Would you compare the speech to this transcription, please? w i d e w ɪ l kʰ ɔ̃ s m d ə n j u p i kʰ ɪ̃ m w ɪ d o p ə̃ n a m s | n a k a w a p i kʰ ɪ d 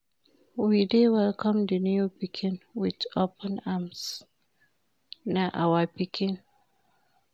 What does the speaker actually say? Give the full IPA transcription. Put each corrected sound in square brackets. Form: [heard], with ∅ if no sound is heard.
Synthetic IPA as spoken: w i d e w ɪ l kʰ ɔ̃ [∅] m d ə n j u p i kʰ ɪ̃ [n] w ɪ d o p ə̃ n a m s | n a [ʔ] a w a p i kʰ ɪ [n]